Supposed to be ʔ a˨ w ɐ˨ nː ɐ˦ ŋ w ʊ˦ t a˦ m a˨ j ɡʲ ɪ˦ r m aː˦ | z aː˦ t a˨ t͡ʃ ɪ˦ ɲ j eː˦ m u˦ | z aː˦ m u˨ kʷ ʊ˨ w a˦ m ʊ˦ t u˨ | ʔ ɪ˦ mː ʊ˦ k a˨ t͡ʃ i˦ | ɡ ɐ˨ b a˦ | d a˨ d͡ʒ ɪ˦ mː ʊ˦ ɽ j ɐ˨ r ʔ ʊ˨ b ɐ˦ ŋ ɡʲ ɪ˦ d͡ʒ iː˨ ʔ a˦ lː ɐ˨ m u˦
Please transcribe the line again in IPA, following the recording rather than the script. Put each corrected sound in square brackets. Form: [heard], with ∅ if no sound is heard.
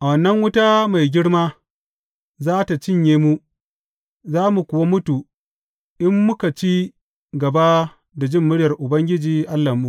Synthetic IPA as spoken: ʔ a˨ w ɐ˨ nː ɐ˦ ŋ w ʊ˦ t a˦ m a˨ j ɡʲ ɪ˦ [ɽ] m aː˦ | z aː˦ t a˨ t͡ʃ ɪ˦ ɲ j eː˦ m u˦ | z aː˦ m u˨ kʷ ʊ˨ w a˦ m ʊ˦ t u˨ | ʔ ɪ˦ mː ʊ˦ k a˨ t͡ʃ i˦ | ɡ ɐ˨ b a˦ | d a˨ d͡ʒ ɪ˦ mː ʊ˦ ɽ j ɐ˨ r ʔ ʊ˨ b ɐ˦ ŋ ɡʲ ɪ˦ d͡ʒ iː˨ ʔ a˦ lː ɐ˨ m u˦